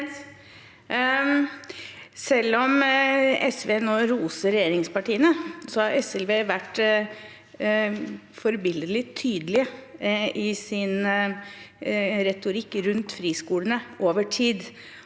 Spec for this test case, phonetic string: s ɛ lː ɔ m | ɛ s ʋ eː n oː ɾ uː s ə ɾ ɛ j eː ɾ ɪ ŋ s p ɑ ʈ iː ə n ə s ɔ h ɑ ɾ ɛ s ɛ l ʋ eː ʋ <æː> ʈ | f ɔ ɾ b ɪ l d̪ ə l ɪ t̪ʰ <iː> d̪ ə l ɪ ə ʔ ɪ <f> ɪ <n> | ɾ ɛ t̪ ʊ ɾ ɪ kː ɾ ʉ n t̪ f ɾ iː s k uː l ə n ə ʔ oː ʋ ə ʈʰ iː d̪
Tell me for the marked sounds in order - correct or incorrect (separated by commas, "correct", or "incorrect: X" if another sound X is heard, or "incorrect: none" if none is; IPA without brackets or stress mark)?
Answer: incorrect: æ, incorrect: yː, incorrect: s, correct